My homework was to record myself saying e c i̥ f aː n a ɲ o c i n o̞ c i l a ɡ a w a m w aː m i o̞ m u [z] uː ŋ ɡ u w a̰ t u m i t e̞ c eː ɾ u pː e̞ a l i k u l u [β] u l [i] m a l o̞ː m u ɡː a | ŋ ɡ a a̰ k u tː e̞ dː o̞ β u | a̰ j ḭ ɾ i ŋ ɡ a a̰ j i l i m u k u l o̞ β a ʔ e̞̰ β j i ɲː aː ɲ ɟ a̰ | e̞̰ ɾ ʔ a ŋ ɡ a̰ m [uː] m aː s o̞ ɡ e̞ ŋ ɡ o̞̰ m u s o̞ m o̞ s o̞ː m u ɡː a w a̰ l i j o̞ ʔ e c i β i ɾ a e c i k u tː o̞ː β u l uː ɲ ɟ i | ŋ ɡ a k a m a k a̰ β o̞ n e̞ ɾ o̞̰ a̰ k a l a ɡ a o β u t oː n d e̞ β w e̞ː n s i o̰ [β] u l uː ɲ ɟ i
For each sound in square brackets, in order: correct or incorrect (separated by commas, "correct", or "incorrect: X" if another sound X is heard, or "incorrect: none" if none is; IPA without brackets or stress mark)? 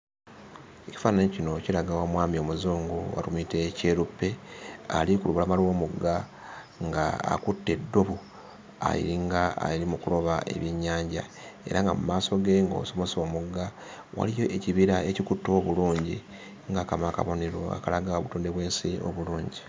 correct, correct, incorrect: a, incorrect: u, correct